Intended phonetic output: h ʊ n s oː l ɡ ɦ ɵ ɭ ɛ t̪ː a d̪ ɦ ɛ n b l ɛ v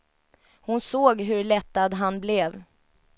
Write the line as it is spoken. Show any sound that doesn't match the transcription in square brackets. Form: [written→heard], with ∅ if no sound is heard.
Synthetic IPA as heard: h ʊ n s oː [l→∅] ɡ ɦ ɵ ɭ ɛ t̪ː a d̪ ɦ [ɛ→a] n b l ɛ v